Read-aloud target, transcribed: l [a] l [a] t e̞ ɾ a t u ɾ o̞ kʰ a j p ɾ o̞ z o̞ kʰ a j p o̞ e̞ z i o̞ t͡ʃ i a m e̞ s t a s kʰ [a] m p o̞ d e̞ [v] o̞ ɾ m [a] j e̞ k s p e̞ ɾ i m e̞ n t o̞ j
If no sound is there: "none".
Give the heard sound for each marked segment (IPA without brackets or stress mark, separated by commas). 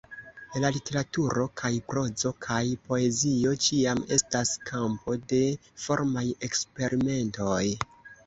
a, i, a, f, a